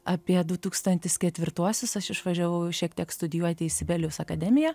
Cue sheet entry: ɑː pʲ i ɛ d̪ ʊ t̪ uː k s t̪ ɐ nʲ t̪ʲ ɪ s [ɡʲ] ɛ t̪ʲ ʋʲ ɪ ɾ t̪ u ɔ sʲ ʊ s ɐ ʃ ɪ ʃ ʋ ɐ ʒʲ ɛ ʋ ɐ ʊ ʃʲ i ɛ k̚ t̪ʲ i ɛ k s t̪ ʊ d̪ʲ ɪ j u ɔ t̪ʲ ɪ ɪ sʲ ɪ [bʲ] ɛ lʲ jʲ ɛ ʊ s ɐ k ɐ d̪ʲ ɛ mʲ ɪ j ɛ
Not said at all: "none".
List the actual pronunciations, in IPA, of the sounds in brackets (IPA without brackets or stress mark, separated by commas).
kʲ, bʲ